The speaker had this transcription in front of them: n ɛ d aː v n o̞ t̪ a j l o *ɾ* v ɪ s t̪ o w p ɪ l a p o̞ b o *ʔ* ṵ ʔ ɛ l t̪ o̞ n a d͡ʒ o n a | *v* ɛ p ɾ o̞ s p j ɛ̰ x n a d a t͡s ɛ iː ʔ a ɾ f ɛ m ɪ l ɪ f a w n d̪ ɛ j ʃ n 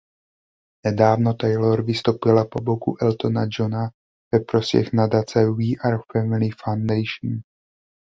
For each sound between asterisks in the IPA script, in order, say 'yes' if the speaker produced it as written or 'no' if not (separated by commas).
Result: yes, no, yes